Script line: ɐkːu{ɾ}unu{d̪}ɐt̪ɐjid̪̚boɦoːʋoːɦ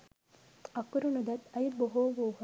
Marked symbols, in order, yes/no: yes, yes

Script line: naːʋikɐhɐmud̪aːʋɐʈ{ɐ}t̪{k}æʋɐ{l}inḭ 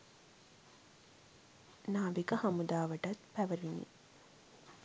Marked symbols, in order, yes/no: yes, no, no

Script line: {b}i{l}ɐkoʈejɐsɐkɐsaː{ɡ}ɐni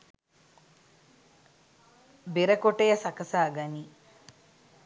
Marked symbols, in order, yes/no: yes, no, yes

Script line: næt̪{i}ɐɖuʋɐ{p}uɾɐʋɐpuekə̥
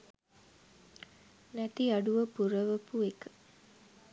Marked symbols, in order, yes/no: yes, yes

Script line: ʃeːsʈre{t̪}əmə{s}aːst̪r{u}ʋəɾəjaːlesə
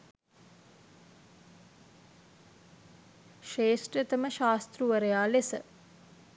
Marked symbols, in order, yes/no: yes, no, yes

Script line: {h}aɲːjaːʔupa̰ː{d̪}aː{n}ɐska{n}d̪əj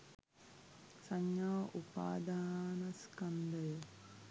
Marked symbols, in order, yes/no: no, yes, yes, yes

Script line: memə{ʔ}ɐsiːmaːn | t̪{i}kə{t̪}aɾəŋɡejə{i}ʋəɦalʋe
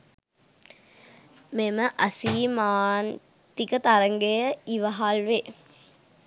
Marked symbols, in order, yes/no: yes, yes, yes, yes

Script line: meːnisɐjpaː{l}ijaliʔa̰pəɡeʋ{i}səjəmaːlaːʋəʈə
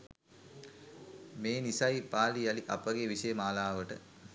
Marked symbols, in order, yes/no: yes, yes

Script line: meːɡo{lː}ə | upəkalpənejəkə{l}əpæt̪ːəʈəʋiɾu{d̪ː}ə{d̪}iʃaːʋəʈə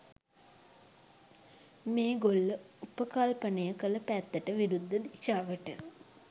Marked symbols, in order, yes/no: yes, yes, yes, yes

